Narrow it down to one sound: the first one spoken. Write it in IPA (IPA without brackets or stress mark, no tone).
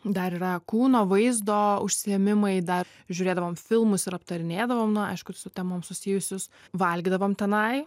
d̪